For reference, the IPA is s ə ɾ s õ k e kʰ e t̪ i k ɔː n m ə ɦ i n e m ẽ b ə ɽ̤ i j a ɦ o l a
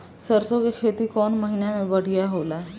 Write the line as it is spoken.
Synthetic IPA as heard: s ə ɾ s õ k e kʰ e t̪ i k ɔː n m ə ɦ i n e m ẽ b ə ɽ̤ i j a ɦ o l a

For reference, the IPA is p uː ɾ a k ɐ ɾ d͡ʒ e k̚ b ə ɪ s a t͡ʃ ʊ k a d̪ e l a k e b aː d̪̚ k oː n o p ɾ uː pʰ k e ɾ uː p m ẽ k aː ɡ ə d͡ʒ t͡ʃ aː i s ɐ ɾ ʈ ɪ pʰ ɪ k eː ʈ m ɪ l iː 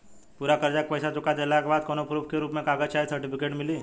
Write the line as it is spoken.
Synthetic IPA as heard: p uː ɾ a k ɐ ɾ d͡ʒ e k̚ p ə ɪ s a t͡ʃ ʊ k a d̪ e l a k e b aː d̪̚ k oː n o p ɾ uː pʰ k e ɾ uː p m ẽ k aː ɡ ə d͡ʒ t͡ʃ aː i s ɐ ɾ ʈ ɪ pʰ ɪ k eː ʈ m ɪ l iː

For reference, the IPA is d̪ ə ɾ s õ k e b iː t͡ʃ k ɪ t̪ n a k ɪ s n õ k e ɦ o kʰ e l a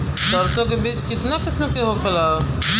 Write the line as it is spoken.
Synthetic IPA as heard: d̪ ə ɾ s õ k e b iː t͡ʃ k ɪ t̪ n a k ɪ s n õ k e ɦ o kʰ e l a

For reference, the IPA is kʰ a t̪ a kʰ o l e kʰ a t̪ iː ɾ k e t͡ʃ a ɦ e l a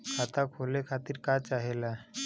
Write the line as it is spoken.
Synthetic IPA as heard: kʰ a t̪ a kʰ o l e kʰ a t̪ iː ɾ k a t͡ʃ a ɦ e l a

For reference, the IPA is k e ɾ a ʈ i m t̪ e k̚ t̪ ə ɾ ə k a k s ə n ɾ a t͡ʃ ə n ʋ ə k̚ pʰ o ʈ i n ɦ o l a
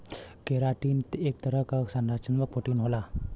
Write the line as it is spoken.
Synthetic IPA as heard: k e ɾ a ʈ i n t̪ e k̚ t̪ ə ɾ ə k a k s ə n ɾ a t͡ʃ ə n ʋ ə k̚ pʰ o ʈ i n ɦ o l a

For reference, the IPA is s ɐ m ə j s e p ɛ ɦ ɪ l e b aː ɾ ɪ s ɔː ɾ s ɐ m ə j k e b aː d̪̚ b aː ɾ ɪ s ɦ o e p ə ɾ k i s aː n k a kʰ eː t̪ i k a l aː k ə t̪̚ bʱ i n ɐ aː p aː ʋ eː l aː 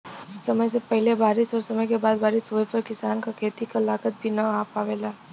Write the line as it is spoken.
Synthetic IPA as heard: s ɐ m ə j s e p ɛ ɦ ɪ l e b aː ɾ ɪ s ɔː ɾ s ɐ m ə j k e b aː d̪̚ b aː ɾ ɪ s ɦ o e p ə ɾ k ɪ s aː n k a kʰ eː t̪ i k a l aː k ə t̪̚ bʱ i n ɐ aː p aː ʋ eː l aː

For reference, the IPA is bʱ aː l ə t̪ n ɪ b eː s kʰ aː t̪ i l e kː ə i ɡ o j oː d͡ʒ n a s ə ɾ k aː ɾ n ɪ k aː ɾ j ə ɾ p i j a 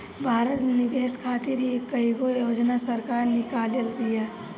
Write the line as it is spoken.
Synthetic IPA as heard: bʱ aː ɾ ə t̪ n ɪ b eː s kʰ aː t̪ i ɾ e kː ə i ɡ o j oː d͡ʒ n a s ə ɾ k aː ɾ n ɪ k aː l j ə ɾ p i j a

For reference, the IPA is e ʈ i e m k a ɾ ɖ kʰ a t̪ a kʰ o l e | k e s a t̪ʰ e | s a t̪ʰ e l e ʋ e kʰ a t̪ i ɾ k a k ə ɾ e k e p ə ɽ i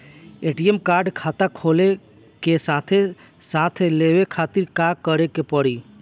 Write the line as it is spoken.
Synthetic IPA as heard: e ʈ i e m k a ɾ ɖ kʰ a t̪ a kʰ o l e | k e s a t̪ʰ e | s a t̪ʰ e l e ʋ e kʰ a t̪ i ɾ k a k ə ɾ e k e p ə ɽ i

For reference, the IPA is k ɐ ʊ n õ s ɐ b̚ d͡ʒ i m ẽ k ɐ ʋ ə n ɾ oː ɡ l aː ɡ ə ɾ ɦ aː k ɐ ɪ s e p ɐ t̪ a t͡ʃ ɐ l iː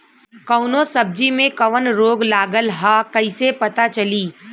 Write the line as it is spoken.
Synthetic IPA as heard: k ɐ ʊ n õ s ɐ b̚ d͡ʒ i m ẽ k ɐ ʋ ə n ɾ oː ɡ l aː ɡ ə l ɦ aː k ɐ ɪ s e p ɐ t̪ a t͡ʃ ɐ l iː

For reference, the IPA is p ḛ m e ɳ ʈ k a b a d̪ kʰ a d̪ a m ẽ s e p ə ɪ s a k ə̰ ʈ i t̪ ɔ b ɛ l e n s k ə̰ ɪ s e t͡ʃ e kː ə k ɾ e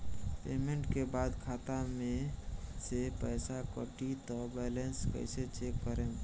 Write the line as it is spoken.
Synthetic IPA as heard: p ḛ m e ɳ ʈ k e b a d̪ kʰ a t̪ a m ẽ s e p ə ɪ s a k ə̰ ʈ i t̪ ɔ b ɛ l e n s k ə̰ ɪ s e t͡ʃ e kː ə ɾ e

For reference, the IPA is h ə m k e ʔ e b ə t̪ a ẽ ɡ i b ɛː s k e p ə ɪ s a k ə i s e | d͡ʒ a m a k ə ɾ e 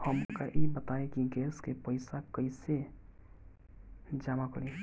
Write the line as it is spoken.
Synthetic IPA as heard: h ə m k a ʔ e b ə t̪ a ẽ k i ɡ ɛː s k e p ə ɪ s a k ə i s e | d͡ʒ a m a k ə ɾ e

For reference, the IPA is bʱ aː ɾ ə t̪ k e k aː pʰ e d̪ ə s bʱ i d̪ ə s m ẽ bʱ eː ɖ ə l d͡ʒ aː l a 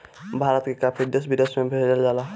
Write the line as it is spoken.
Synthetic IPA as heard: bʱ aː ɾ ə t̪ k e k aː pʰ i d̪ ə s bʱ i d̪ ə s m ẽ bʱ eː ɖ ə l d͡ʒ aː l a

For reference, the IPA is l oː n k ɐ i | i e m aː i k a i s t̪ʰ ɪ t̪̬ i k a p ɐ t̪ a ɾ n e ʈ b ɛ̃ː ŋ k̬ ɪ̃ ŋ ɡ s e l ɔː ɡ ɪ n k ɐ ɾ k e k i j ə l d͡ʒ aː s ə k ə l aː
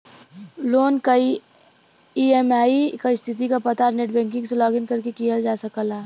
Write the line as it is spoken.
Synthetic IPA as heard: l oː n k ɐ i | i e m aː i k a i s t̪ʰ ɪ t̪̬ i k a p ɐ t̪ a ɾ n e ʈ b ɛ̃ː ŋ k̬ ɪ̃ ŋ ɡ s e l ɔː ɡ ɪ n k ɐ ɾ k e k i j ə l d͡ʒ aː s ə k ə l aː

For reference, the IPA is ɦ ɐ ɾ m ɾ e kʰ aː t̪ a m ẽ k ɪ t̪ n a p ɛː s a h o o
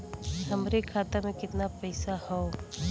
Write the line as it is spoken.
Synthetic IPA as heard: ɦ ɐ m ɾ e kʰ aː t̪ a m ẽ k ɪ t̪ n a p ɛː s a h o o

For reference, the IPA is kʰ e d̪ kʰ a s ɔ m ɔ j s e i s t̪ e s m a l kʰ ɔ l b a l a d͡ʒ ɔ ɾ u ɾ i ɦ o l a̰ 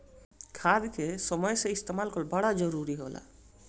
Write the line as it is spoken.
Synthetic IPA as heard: kʰ a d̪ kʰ e s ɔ m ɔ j s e i s t̪ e m a l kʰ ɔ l b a ɽ a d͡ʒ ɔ ɾ u ɾ i ɦ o l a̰

